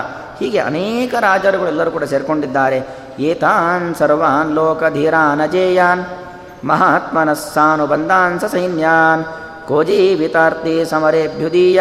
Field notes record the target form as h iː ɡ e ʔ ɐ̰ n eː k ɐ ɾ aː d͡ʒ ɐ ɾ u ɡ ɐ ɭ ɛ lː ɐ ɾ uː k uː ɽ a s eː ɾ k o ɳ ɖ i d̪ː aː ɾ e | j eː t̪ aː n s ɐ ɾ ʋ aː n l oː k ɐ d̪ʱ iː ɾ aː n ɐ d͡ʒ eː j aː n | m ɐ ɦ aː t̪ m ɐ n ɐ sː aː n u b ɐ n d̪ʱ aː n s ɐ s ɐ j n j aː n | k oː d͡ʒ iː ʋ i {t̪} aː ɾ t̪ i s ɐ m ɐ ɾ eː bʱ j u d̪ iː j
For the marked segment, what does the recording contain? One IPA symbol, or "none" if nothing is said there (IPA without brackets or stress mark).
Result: t̪